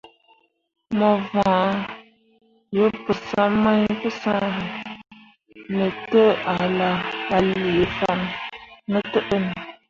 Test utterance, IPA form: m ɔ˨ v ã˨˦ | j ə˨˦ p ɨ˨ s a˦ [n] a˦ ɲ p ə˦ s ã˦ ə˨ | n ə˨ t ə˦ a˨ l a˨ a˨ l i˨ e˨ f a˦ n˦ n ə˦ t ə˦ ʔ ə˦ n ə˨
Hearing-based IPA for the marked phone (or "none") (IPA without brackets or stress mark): m